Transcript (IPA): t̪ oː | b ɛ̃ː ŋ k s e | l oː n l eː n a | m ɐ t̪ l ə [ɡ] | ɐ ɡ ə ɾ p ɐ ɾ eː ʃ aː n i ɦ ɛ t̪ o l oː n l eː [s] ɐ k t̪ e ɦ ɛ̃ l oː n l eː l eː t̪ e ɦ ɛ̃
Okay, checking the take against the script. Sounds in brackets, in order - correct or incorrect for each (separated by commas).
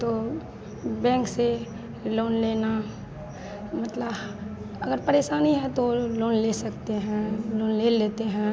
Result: incorrect, correct